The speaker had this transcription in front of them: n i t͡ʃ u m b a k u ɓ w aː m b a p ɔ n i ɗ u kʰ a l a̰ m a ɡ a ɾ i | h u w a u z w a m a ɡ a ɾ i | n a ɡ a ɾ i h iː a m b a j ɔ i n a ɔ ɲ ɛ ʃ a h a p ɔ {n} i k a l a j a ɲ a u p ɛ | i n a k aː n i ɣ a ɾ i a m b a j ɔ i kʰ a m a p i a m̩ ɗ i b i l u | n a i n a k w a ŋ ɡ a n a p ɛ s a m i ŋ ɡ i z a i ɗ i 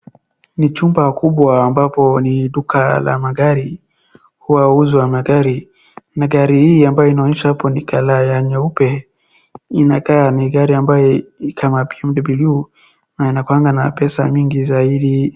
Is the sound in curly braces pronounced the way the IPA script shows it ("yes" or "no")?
yes